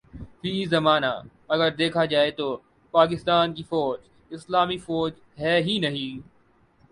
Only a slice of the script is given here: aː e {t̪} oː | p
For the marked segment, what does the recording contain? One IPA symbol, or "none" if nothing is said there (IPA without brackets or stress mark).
t̪